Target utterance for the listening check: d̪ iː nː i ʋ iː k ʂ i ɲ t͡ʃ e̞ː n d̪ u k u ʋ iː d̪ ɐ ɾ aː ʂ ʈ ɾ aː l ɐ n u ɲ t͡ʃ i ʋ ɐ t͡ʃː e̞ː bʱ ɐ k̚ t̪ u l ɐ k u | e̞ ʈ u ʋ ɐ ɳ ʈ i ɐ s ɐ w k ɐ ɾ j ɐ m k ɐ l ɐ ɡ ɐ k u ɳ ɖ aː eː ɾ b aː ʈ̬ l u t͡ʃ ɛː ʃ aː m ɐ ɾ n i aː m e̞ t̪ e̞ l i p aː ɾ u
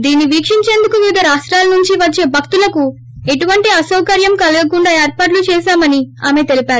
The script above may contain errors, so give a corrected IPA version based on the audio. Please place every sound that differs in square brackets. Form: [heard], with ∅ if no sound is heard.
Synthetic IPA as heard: d̪ iː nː i ʋ iː k ʂ i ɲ t͡ʃ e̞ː n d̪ u k u ʋ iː d̪ ɐ ɾ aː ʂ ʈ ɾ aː l ɐ n u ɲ t͡ʃ i ʋ ɐ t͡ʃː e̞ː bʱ ɐ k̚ t̪ u l ɐ k u | e̞ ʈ u ʋ ɐ ɳ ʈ i ɐ s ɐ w k ɐ ɾ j ɐ m k ɐ l ɐ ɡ ɐ k u ɳ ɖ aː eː ɾ [p] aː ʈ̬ l u t͡ʃ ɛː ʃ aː m ɐ [∅] n i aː m e̞ t̪ e̞ l i p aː ɾ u